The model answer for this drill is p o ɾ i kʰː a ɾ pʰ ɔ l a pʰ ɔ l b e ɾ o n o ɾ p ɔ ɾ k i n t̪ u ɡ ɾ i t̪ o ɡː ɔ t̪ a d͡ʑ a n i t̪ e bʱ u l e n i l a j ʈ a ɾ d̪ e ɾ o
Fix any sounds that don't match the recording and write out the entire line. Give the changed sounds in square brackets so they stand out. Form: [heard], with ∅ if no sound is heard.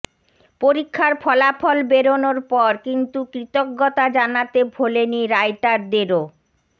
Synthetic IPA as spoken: p o ɾ i kʰː a ɾ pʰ ɔ l a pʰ ɔ l b e ɾ o n o ɾ p ɔ ɾ k i n t̪ u [k] ɾ i t̪ o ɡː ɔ t̪ a d͡ʑ a n [a] t̪ e bʱ [o] l e n i [ɾ] a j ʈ a ɾ d̪ e ɾ o

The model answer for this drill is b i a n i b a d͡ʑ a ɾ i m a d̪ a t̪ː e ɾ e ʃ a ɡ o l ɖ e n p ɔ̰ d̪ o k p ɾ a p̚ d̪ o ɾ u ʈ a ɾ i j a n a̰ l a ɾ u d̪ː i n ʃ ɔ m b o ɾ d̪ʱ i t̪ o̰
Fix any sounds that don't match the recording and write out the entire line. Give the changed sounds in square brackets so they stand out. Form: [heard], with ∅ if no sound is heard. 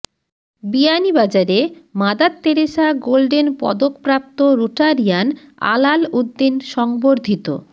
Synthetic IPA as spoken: b i a n i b a d͡ʑ a ɾ [e] m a d̪ a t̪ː e ɾ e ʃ a ɡ o l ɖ e n p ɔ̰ d̪ o k p ɾ a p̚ [t̪] o ɾ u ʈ a ɾ i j a n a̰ l a [l] u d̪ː i n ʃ ɔ [ŋ] b o ɾ d̪ʱ i t̪ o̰

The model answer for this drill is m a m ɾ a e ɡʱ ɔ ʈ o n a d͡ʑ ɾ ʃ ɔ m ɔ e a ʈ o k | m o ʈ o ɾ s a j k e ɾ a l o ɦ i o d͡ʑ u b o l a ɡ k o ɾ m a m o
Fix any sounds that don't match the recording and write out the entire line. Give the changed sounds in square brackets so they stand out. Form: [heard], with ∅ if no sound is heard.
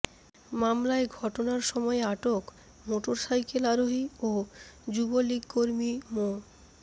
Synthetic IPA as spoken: m a m [l] a e ɡʱ ɔ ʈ o n a [∅] ɾ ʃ ɔ m ɔ e a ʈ o k | m o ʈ o ɾ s a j k e [l] a [ɾ] o ɦ i o d͡ʑ u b o l [i] ɡ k o ɾ m [i] m o

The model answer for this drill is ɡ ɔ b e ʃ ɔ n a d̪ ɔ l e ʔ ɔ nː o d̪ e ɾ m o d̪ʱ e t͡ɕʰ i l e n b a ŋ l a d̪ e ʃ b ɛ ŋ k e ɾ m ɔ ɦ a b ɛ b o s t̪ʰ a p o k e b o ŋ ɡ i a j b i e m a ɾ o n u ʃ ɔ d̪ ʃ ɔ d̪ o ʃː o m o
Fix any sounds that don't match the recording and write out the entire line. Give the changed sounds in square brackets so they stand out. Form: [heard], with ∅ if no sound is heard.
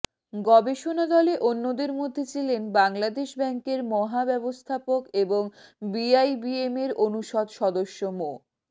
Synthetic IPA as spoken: ɡ ɔ b e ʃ [o] n a d̪ ɔ l e ʔ [o] nː o d̪ e ɾ m o [d̪ʱː] e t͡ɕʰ i l e n b a ŋ l a d̪ e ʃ b ɛ ŋ k e ɾ m ɔ ɦ a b ɛ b o s t̪ʰ a p o k e b o ŋ [b] i a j b i e m [e] ɾ o n u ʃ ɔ d̪ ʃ ɔ d̪ o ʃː o m o

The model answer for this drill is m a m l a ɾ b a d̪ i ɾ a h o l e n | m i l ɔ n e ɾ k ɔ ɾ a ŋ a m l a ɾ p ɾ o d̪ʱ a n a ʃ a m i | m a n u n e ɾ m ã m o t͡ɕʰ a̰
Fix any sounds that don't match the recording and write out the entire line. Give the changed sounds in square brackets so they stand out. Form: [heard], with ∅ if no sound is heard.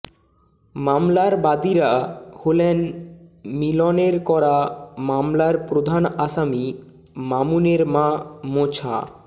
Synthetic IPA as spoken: m a m l a ɾ b a d̪ i ɾ a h o l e n | m i l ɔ n e ɾ k ɔ ɾ a [m] a m l a ɾ p ɾ o d̪ʱ a n a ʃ a m i | m a [m] u n e ɾ m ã m o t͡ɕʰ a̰

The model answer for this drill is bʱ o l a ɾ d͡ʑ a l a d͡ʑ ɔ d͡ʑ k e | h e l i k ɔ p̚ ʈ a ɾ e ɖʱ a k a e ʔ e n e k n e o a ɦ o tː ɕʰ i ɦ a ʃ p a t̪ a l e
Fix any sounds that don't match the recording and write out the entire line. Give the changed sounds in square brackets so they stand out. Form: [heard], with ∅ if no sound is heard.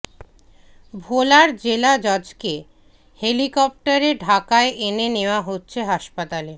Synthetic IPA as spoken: bʱ o l a ɾ d͡ʑ [e] l a d͡ʑ ɔ d͡ʑ k e | h e l i k ɔ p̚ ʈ a ɾ e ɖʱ a k a e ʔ e n e [∅] n e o a ɦ o tː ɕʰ [e] ɦ a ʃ p a t̪ a l e

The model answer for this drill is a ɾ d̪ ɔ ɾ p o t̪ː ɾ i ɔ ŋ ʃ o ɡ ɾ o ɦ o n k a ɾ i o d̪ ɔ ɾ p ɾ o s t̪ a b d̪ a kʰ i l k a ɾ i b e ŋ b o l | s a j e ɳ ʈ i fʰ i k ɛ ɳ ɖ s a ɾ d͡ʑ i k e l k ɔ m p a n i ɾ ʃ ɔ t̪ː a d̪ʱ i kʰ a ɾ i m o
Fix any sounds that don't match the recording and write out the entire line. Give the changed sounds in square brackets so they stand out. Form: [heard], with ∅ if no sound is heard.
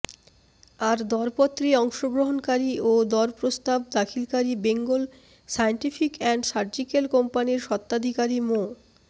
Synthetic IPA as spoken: a ɾ d̪ ɔ ɾ p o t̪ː ɾ i ɔ ŋ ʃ o ɡ ɾ o ɦ o n k a ɾ i o d̪ ɔ ɾ p ɾ o s t̪ a b d̪ a kʰ i l k a ɾ i b e ŋ [ɡ] o l | s a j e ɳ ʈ i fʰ i k ɛ ɳ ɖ s a ɾ d͡ʑ i k e l k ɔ m p a n i ɾ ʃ ɔ t̪ː a d̪ʱ i [k] a ɾ i m o

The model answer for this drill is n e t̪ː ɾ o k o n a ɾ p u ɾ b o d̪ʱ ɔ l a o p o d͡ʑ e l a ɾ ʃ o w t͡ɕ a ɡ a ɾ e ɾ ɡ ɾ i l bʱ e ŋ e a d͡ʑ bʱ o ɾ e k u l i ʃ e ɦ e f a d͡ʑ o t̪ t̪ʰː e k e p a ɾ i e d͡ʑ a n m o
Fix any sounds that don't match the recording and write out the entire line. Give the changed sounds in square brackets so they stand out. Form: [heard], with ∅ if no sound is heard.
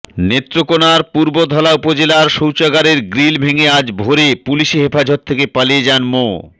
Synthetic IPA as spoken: n e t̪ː ɾ o k o n a ɾ p u ɾ b o d̪ʱ ɔ l a [u] p o d͡ʑ e l a ɾ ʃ o w t͡ɕ a ɡ a ɾ e ɾ ɡ ɾ i l bʱ e ŋ e a d͡ʑ bʱ o ɾ e [p] u l i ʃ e ɦ e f a d͡ʑ o t̪ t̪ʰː e k e p a [l] i e d͡ʑ a n m o

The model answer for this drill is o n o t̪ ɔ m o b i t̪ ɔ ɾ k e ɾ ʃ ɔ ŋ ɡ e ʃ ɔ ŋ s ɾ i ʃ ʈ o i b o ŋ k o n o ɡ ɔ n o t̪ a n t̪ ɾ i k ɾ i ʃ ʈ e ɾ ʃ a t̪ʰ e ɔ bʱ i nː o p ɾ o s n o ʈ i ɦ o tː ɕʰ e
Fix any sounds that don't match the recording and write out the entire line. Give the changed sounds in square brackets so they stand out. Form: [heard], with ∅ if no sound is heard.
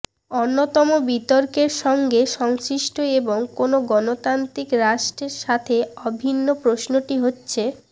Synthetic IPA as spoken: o [nː] o t̪ ɔ m o b i t̪ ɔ ɾ k e ɾ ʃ ɔ ŋ ɡ e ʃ ɔ ŋ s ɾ i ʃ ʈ o [e] b o ŋ k o n o ɡ ɔ n o t̪ a n t̪ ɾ i k ɾ [a] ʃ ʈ e ɾ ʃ a t̪ʰ e ɔ bʱ i nː o p ɾ o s n o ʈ i ɦ o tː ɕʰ e

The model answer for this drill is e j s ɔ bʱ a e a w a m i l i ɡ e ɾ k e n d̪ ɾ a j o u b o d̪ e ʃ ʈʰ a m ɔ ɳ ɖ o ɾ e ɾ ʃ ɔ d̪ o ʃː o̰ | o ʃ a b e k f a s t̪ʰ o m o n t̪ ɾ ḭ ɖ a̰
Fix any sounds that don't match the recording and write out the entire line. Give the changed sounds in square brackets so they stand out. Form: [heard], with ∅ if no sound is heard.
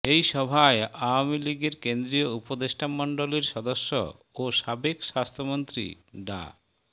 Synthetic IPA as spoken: e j [ʃ] ɔ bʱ a e a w a m i l i ɡ e ɾ k e n d̪ ɾ [i] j o u [p] o d̪ e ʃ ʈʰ a m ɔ ɳ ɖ o [l] e ɾ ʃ ɔ d̪ o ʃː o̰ | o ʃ a b e k [ʃ] a s t̪ʰ o m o n t̪ ɾ ḭ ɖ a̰

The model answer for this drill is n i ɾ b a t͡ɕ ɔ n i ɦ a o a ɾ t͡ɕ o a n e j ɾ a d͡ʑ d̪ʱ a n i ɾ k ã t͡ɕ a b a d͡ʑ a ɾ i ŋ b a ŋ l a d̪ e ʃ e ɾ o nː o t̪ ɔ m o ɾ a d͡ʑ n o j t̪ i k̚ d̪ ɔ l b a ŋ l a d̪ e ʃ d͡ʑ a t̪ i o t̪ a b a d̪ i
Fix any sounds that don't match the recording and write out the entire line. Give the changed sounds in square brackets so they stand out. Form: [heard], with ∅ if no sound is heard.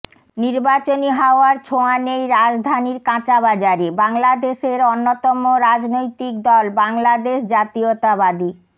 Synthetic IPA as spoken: n i ɾ b a t͡ɕ [o] n i ɦ a o a ɾ [t͡ɕʰ] o a n e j ɾ a d͡ʑ d̪ʱ a n i ɾ k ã t͡ɕ a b a d͡ʑ a ɾ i [∅] b a ŋ l a d̪ e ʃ e ɾ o nː o t̪ ɔ m o ɾ a d͡ʑ n o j t̪ i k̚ d̪ ɔ l b a ŋ l a d̪ e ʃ d͡ʑ a t̪ i o t̪ a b a d̪ i

